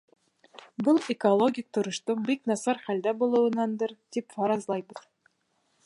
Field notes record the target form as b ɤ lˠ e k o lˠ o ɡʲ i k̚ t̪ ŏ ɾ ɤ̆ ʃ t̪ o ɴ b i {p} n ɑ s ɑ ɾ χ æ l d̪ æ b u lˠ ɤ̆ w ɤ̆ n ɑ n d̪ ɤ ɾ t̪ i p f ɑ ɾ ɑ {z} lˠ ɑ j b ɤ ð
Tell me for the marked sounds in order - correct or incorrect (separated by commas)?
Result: incorrect, correct